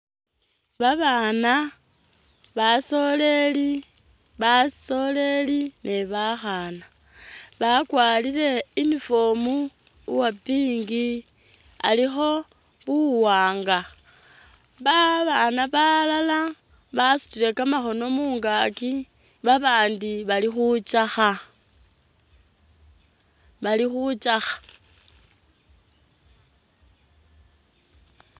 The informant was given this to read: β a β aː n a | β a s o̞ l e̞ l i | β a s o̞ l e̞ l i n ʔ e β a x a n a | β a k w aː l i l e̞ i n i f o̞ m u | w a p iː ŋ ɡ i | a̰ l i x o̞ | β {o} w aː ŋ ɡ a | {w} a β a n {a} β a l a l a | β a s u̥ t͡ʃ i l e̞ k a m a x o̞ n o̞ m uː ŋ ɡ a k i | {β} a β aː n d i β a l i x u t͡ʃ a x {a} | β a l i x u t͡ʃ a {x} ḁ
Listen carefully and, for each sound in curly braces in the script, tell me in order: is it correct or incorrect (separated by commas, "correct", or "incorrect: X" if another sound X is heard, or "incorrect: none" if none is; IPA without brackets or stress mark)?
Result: incorrect: u, incorrect: β, correct, correct, correct, correct